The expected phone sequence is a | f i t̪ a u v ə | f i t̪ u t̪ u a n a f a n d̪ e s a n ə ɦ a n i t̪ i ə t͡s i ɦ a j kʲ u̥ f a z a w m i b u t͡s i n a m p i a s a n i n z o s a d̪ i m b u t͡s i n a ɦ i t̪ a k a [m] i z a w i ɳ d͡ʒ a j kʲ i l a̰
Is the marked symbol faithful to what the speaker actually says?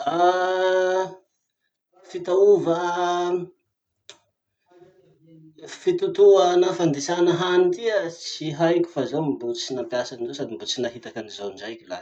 no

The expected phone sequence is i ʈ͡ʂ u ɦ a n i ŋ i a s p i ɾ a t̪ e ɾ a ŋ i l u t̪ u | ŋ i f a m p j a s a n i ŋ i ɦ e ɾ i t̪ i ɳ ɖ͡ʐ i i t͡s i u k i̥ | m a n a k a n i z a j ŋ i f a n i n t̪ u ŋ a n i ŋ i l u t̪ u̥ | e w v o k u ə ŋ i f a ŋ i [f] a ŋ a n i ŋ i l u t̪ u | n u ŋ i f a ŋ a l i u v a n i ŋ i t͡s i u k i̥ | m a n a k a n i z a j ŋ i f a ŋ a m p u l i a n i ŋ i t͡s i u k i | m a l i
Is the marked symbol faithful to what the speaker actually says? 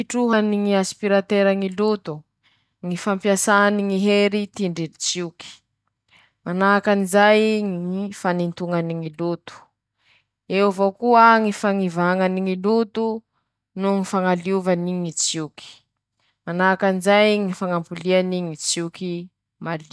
no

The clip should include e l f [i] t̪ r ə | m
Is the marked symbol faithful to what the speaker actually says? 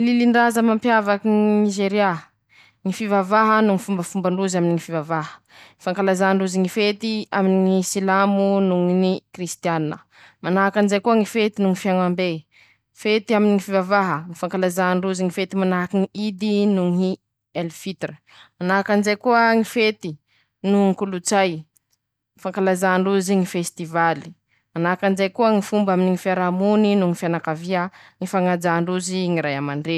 yes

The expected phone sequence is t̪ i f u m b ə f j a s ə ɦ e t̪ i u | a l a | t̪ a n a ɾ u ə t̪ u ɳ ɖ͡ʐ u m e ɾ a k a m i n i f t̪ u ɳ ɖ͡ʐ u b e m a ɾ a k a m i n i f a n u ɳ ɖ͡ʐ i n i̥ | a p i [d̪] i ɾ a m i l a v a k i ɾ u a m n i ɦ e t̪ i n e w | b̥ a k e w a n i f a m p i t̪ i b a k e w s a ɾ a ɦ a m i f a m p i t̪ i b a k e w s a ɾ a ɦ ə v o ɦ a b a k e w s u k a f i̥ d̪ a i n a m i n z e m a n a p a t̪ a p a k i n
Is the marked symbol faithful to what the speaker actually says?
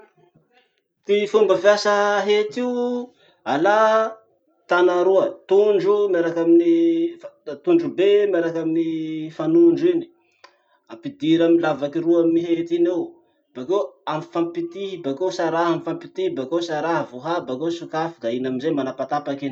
yes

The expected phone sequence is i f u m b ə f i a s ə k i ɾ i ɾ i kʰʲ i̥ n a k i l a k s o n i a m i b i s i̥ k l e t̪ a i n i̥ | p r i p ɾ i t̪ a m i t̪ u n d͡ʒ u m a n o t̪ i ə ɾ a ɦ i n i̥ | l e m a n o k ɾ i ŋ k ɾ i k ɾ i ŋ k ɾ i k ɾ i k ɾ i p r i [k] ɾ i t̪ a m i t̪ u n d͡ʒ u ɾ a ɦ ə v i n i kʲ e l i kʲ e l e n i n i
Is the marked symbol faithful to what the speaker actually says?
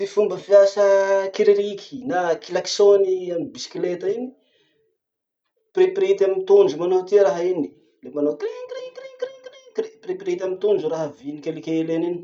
no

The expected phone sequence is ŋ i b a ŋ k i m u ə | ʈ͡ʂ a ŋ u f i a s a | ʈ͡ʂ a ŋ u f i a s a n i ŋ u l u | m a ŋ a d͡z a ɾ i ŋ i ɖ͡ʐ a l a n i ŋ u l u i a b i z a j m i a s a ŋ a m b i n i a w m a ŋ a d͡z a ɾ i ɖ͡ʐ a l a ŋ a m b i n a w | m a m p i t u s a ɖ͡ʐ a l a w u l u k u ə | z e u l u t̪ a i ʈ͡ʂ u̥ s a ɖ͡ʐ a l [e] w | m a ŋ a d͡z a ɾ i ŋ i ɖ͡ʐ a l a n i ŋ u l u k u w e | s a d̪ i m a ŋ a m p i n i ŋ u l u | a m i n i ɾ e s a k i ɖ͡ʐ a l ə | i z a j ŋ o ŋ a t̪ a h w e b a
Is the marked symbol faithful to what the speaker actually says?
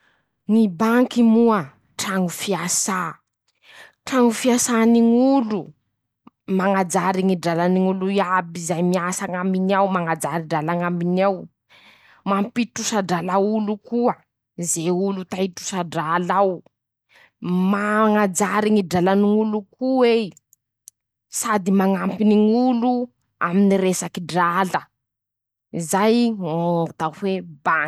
no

